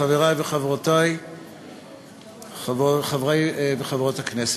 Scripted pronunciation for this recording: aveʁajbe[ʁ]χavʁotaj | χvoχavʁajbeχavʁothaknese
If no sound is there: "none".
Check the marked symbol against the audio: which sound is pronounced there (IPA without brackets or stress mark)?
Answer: none